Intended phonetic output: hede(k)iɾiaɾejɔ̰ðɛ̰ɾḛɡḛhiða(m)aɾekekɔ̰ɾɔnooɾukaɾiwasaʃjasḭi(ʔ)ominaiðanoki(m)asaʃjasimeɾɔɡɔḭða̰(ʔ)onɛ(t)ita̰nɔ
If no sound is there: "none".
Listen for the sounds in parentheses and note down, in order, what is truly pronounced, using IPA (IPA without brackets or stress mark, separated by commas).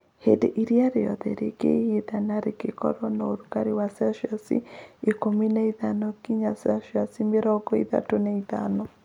ʔ, n, k, ɲ, t, none